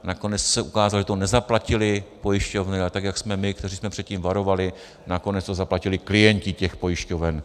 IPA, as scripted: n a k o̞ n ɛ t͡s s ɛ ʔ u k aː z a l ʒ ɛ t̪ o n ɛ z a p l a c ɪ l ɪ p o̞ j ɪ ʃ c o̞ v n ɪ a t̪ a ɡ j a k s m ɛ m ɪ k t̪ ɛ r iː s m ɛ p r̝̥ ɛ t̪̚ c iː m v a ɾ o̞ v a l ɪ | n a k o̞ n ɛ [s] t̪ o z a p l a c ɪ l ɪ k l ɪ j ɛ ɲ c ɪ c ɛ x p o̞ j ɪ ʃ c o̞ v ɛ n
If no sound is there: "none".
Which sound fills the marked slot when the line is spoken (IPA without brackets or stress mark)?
t͡s